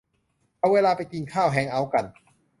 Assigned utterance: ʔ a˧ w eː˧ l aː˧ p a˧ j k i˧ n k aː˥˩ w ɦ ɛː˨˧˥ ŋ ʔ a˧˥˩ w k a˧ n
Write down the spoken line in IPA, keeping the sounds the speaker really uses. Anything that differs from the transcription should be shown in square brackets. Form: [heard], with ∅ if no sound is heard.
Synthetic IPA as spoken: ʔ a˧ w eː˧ l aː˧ p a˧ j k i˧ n [kʰ] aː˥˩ w ɦ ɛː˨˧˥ ŋ ʔ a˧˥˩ w k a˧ n